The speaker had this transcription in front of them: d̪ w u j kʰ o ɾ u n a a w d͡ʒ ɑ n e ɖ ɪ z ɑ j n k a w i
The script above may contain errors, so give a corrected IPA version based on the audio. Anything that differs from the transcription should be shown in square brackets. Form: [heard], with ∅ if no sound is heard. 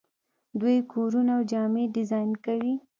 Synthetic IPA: d̪ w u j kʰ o ɾ u n a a w d͡ʒ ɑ [m] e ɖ ɪ z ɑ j n k a w i